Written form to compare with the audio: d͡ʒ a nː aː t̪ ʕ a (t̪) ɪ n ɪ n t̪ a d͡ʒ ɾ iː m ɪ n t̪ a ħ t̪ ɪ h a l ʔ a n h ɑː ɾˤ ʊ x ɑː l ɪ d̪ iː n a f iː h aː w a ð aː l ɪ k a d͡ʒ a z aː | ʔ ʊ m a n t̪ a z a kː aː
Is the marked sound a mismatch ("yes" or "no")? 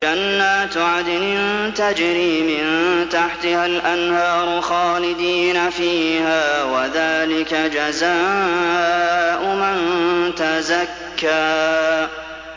yes